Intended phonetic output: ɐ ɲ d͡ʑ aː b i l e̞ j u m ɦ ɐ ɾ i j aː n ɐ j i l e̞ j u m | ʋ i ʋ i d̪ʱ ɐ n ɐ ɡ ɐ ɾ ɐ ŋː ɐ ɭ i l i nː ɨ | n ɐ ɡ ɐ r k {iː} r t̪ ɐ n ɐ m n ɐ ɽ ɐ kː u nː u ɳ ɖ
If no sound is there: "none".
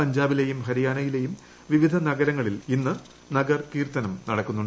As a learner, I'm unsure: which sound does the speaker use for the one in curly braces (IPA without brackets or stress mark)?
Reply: iː